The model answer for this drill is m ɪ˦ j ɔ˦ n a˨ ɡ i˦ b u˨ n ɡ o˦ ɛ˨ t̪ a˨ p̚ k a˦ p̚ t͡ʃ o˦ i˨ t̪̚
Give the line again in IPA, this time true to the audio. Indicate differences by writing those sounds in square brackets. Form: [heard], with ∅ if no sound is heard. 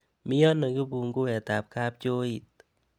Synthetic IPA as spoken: m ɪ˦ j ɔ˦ n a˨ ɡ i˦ b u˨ [ŋ] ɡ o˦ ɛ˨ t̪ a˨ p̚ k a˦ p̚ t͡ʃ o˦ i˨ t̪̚

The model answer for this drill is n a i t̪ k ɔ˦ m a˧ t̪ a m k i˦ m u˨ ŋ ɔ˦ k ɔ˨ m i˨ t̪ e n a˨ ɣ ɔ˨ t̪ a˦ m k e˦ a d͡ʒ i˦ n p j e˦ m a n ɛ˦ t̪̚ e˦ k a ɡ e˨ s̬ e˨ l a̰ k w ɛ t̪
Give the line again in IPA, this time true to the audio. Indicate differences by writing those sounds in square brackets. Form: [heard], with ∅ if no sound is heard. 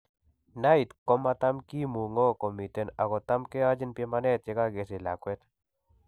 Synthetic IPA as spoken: n a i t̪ k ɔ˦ m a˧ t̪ a m k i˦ m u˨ ŋ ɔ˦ k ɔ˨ m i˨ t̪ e n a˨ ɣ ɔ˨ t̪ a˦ m k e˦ a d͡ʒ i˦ n p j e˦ m a n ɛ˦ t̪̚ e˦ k a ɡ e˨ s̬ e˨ l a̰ k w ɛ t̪

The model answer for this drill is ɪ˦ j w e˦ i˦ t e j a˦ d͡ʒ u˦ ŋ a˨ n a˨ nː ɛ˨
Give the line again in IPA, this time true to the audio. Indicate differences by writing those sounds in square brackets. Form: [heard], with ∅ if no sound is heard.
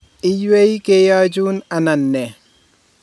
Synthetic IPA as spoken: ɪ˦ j w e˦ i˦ [k] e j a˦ d͡ʒ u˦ [n] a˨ n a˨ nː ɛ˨

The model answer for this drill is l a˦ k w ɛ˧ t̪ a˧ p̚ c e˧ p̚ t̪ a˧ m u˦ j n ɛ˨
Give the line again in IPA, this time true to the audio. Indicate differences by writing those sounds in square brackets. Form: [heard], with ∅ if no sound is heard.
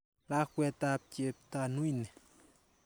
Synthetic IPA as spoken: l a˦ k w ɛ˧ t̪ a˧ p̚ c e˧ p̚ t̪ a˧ [n] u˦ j n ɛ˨

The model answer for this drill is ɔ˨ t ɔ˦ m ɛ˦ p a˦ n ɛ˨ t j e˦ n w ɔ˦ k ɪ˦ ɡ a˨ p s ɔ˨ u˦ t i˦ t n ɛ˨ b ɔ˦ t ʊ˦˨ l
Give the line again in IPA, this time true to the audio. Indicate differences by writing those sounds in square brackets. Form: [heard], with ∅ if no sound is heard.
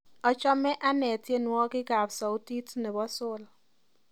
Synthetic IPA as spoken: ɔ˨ [t͡ʃ] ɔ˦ m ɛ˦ [ʔ] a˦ n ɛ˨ t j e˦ n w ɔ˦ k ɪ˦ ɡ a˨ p s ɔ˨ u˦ t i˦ t n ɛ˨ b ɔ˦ [s] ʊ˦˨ l

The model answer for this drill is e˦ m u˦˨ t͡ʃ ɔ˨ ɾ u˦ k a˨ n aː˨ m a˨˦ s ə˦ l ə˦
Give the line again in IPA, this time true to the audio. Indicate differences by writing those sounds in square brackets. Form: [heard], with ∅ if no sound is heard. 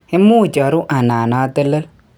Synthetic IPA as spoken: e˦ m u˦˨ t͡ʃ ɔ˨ ɾ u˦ [ʔ] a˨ n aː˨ [n] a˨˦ [t] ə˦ l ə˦

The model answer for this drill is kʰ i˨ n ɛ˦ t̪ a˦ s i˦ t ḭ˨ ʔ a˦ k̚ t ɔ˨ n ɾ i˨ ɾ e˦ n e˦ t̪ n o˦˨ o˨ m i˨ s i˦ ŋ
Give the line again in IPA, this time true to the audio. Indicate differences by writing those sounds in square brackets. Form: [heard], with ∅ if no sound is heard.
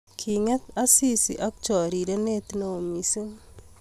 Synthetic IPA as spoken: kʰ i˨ [ŋ] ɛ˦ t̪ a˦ s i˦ [s] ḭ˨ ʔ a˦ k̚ [t͡ʃ] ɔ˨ [∅] ɾ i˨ ɾ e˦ n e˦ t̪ n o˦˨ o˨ m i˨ s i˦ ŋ

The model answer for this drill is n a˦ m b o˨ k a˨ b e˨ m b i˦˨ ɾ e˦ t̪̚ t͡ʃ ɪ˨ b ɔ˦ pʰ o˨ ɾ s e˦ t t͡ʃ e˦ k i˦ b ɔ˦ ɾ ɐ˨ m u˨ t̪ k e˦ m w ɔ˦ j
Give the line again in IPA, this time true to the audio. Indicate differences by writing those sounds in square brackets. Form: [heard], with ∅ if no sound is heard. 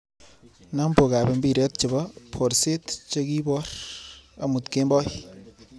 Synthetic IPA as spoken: n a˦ m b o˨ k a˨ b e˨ m b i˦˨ ɾ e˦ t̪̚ t͡ʃ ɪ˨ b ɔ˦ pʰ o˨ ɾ s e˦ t t͡ʃ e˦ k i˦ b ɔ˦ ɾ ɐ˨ m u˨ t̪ k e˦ m [b] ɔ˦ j

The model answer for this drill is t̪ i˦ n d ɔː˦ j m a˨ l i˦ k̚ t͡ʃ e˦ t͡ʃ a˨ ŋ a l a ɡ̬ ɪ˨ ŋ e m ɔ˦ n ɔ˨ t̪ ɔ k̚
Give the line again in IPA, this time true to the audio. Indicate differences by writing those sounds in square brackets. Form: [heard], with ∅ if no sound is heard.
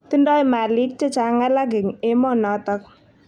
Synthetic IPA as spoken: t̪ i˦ n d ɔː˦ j m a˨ l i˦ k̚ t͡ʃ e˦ t͡ʃ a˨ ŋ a l a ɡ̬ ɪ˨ ŋ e m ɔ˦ n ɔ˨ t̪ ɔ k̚

